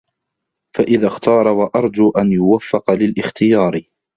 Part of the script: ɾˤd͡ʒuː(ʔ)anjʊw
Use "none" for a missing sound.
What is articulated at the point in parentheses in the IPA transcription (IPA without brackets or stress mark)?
ʔ